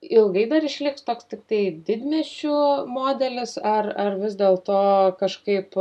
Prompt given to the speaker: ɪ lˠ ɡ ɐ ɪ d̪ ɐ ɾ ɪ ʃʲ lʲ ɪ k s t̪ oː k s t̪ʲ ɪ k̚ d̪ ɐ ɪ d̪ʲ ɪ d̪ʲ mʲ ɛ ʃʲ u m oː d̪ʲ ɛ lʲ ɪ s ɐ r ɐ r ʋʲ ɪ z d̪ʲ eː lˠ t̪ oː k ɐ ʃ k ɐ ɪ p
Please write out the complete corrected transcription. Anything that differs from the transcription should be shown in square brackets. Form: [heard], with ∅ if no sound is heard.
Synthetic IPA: ɪ lˠ ɡ ɐ ɪ d̪ ɐ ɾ ɪ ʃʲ lʲ ɪ k s t̪ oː k s t̪ʲ ɪ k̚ [t̪] ɐ ɪ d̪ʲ ɪ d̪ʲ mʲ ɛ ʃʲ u m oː d̪ʲ ɛ lʲ ɪ s ɐ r ɐ r ʋʲ ɪ z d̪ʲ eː lˠ t̪ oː k ɐ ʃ k ɐ ɪ p

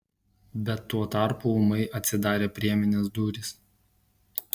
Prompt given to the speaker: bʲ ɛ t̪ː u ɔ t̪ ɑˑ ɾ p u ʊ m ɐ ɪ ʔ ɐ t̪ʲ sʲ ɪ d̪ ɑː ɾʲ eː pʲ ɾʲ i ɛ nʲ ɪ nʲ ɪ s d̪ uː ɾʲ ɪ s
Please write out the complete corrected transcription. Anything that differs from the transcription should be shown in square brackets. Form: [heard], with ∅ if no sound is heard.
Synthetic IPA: bʲ ɛ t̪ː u ɔ t̪ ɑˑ ɾ p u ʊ m ɐ ɪ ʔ ɐ t̪ʲ sʲ ɪ d̪ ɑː ɾʲ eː pʲ ɾʲ i ɛ [mʲ] ɪ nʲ ɪ s d̪ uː ɾʲ ɪ s

